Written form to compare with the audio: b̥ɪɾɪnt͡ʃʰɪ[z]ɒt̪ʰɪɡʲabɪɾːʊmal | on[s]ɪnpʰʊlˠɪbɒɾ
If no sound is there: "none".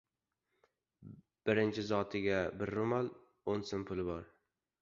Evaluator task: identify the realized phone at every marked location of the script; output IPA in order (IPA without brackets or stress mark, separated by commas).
z, s